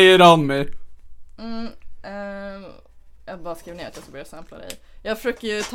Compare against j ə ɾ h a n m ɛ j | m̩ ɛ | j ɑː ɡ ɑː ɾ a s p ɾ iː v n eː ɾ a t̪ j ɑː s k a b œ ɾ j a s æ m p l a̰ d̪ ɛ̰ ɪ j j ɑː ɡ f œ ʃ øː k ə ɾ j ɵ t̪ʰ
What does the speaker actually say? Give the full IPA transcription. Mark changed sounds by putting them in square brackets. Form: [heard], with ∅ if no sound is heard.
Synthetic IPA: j ə ɾ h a n m ɛ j | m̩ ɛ | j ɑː [b] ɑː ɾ a s [k] ɾ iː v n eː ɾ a t̪ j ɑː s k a b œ ɾ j a s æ m p l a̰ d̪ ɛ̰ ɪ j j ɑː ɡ f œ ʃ øː k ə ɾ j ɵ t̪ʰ